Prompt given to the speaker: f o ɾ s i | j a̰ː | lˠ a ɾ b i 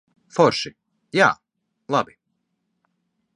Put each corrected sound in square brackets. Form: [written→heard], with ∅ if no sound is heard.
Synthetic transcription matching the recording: f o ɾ [s→ʃ] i | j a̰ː | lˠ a [ɾ→∅] b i